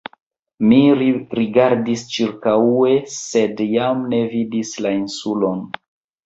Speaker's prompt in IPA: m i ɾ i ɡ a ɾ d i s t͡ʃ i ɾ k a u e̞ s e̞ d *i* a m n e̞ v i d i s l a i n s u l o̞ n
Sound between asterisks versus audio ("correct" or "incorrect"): incorrect